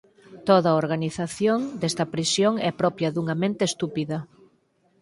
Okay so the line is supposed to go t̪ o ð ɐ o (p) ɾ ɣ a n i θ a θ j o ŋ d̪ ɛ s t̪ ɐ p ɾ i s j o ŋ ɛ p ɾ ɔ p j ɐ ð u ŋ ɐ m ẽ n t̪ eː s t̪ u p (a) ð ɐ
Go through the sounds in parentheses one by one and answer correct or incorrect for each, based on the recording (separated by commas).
incorrect, incorrect